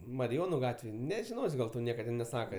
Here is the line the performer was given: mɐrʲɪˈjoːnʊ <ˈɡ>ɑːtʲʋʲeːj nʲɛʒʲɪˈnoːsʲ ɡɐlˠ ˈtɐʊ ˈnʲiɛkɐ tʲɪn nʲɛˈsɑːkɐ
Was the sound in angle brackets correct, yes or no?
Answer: yes